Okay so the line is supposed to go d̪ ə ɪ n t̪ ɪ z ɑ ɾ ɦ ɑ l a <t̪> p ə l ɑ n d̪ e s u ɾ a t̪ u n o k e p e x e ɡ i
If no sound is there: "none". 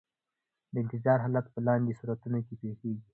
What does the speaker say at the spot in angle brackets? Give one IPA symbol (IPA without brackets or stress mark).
t̪